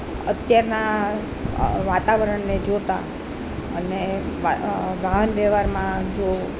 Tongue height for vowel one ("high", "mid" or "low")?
mid